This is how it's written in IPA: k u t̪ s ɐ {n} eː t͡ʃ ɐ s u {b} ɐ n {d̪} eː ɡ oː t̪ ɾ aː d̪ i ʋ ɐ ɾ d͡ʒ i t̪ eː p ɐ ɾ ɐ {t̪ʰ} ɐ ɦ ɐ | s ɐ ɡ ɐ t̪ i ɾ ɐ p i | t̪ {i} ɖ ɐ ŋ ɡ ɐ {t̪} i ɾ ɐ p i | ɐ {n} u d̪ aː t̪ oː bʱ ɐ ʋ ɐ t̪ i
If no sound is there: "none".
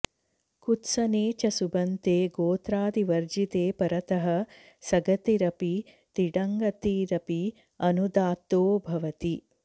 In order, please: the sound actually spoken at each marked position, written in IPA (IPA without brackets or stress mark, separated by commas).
n, b, t̪, t̪, i, t̪, n